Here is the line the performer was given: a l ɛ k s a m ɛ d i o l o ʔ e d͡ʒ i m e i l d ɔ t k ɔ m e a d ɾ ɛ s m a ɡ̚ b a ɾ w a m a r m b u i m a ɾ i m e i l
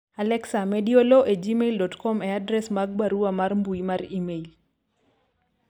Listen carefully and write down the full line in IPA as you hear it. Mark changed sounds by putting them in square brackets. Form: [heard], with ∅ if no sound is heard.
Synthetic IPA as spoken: a l ɛ k s a m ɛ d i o l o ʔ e d͡ʒ i m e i l d ɔ t k ɔ m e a d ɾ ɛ s m a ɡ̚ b a ɾ [u] a m a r m b u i m a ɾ i m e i l